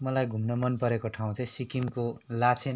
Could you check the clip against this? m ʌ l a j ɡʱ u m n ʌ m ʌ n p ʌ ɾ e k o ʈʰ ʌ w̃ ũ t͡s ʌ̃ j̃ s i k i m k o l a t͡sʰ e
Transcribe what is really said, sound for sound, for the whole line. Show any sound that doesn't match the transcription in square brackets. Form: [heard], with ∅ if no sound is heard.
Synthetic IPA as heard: m ʌ l a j ɡʱ u m n ʌ m ʌ n p ʌ ɾ e k o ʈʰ [a] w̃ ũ t͡s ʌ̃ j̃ s i k i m k o l a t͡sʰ e